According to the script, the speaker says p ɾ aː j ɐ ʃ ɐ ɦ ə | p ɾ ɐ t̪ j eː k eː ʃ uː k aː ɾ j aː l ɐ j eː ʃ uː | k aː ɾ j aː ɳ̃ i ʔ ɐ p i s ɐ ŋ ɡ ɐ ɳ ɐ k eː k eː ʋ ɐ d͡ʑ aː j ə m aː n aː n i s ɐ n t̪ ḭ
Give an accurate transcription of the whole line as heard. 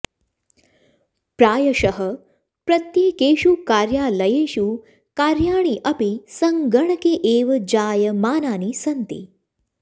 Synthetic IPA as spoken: p ɾ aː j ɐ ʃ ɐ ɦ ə | p ɾ ɐ t̪ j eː k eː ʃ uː k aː ɾ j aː l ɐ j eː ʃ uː | k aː ɾ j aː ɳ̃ i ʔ ɐ p i s ɐ ŋ ɡ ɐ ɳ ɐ k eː ʔ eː ʋ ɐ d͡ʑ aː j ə m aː n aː n i s ɐ n t̪ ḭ